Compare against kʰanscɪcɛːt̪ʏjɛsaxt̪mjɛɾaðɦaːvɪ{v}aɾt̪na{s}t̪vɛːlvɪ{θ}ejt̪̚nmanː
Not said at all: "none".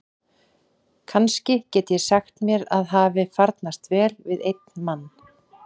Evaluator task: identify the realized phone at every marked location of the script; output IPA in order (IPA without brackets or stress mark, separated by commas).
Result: f, s, ð